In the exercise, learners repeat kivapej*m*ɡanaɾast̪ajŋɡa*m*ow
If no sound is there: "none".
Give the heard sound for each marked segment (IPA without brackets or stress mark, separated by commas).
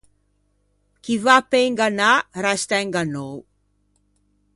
ŋ, n